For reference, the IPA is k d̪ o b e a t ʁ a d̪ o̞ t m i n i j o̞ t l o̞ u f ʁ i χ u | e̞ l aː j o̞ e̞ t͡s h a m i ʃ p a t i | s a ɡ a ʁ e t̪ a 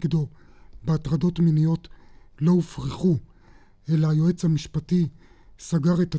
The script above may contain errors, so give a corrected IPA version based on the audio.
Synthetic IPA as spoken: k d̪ o b e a t ʁ a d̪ o̞ t m i n i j o̞ t l o̞ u f ʁ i χ u | e̞ l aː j o̞ e̞ t͡s h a m i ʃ p a t i | s a ɡ a ʁ e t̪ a